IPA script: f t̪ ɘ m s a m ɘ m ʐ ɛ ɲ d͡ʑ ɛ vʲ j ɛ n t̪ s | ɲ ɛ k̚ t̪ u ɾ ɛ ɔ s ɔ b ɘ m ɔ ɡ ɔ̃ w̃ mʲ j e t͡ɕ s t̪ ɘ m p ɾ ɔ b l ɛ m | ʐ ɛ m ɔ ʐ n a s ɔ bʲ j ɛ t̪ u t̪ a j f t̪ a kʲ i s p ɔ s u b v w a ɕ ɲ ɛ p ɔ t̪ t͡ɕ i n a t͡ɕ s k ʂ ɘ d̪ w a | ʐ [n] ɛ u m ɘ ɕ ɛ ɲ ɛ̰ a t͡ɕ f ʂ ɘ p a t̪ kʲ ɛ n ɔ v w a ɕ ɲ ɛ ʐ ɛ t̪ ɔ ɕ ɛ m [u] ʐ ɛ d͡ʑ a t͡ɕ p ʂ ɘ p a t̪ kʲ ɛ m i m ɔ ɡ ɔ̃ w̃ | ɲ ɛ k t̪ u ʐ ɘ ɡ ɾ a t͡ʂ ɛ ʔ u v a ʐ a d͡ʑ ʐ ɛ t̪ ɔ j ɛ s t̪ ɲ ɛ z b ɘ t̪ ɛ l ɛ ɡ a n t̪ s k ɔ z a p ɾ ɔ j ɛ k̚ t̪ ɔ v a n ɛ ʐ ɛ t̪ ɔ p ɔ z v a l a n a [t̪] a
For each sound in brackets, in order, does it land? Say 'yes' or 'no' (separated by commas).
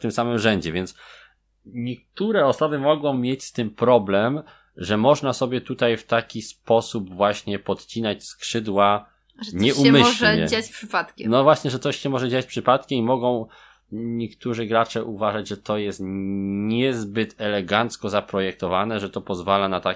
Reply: no, no, yes